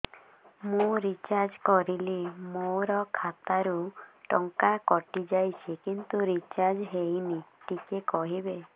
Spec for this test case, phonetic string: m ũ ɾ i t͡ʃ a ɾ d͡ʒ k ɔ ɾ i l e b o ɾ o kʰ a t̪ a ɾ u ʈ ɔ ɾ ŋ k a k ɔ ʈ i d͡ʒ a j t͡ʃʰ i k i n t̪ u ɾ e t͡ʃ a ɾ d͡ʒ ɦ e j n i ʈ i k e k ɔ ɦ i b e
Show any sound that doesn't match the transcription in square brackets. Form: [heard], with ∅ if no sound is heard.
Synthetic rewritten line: m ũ ɾ i t͡ʃ a ɾ d͡ʒ k ɔ ɾ i l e [m] o ɾ [ɔ] kʰ a t̪ a ɾ u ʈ ɔ [∅] ŋ k a k ɔ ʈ i d͡ʒ a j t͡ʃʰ i k i n t̪ u ɾ [i] t͡ʃ a ɾ d͡ʒ ɦ e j n i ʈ i k e k ɔ ɦ i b e